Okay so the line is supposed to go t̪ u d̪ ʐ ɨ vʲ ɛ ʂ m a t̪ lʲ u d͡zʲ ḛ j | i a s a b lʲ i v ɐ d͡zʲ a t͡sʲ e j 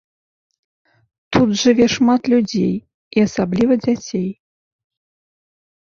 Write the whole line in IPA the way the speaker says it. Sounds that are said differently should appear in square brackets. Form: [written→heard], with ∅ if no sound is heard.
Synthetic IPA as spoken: t̪ u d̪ ʐ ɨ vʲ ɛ ʂ m a t̪ lʲ u d͡zʲ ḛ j | i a s a b lʲ i v ɐ d͡zʲ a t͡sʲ e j

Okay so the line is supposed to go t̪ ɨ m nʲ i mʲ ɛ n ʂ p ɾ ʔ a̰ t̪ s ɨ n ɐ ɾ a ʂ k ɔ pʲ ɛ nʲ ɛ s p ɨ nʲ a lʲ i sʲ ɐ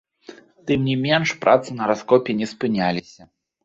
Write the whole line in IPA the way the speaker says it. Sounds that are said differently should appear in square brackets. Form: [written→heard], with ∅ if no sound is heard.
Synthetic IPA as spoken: t̪ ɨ m nʲ i mʲ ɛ n ʂ p ɾ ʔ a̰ t̪ s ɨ n ɐ ɾ a [ʂ→s] k ɔ pʲ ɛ nʲ ɛ s p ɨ nʲ a lʲ i sʲ ɐ

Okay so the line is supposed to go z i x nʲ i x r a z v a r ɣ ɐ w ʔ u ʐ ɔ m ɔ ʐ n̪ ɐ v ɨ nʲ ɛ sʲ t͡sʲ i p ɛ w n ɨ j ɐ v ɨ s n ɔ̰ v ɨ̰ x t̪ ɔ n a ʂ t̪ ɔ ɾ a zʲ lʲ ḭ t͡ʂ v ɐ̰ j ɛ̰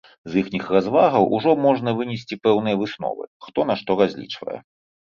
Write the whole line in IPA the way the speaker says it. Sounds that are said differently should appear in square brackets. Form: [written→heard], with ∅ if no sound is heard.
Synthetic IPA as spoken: z i x nʲ i x r a z v a [r→∅] ɣ ɐ w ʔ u ʐ ɔ m ɔ ʐ n̪ ɐ v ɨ nʲ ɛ sʲ t͡sʲ i p ɛ w n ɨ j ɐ v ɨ s n ɔ̰ v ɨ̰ x t̪ ɔ n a ʂ t̪ ɔ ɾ a zʲ lʲ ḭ t͡ʂ v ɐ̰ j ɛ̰

